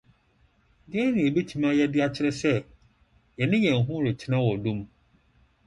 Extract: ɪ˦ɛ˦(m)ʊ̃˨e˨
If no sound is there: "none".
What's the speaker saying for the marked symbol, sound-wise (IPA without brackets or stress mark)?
n